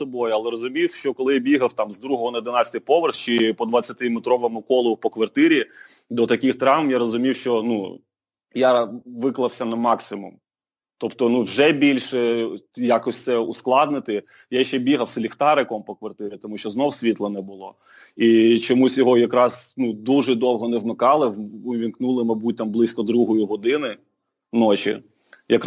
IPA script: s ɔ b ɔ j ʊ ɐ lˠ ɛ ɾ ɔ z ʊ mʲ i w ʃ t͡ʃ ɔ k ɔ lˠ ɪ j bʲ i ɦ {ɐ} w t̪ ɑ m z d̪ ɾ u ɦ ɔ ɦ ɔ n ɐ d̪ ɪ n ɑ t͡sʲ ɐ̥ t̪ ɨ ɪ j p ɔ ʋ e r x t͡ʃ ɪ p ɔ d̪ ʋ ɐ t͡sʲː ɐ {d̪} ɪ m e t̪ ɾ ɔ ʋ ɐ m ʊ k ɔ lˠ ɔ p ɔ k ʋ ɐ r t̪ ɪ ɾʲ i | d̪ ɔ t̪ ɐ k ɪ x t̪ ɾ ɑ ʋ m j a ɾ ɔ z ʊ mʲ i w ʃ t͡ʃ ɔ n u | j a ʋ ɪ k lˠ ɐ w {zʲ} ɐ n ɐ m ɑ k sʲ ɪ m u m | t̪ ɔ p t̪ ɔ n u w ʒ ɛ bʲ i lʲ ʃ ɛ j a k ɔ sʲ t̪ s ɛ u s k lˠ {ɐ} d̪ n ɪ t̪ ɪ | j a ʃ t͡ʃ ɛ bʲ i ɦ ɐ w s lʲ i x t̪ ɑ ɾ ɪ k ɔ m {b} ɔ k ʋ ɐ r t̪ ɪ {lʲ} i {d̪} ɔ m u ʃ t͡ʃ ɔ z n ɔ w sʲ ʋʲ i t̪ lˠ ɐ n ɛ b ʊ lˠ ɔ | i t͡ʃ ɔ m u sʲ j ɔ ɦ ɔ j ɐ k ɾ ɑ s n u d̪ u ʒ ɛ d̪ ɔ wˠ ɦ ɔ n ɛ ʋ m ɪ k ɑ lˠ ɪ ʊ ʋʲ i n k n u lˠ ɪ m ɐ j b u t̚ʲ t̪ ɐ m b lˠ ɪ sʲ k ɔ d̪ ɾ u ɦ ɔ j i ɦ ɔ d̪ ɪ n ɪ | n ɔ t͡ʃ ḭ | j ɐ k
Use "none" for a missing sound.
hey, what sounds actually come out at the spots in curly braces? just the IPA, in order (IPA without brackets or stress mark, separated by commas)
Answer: ɐ, t̪, sʲ, ɑ, p, ɾʲ, t̪